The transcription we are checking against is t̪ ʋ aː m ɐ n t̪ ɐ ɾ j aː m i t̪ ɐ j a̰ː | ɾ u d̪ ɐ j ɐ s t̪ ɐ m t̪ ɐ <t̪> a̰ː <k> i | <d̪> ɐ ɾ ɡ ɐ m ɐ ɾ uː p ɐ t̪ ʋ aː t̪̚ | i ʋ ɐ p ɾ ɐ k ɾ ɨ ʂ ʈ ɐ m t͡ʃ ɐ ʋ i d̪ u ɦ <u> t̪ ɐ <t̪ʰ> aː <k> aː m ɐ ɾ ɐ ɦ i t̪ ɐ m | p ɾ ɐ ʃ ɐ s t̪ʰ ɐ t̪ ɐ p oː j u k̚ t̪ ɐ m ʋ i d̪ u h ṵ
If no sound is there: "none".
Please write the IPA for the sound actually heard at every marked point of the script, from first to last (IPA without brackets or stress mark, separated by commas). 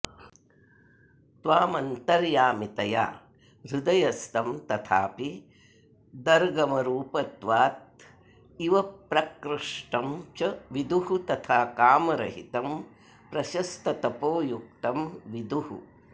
t̪ʰ, p, d̪, u, t̪ʰ, k